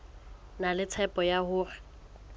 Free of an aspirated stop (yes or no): no